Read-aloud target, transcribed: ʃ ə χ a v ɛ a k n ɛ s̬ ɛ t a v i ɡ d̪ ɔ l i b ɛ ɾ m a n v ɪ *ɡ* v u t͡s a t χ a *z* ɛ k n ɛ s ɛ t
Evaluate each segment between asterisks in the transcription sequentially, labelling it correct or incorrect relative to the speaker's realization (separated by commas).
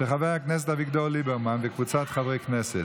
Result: incorrect, incorrect